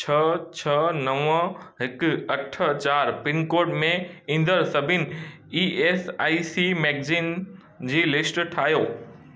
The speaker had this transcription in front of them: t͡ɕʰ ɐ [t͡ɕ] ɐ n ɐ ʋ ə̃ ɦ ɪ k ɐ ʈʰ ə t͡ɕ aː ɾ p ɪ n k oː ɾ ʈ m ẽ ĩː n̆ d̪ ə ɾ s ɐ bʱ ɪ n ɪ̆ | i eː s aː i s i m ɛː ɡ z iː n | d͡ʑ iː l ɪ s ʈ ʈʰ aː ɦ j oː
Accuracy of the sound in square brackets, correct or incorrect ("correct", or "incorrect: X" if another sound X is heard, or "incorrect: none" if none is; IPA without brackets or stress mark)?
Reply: incorrect: t͡ɕʰ